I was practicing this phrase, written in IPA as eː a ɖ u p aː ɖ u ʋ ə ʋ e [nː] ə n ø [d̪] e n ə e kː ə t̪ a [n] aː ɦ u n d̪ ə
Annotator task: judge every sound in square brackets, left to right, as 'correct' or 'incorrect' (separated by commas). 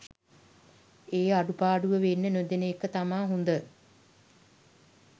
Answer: correct, correct, incorrect